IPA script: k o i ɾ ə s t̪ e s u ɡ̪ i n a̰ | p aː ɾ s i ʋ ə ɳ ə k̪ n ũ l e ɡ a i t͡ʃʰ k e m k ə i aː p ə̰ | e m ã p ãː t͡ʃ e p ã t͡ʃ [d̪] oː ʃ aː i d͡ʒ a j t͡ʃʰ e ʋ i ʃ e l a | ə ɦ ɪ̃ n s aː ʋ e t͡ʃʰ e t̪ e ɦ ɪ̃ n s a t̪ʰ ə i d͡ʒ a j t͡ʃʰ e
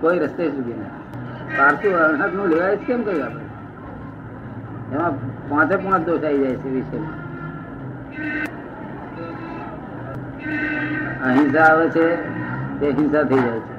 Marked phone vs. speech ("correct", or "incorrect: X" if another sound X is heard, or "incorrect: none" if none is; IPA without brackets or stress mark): correct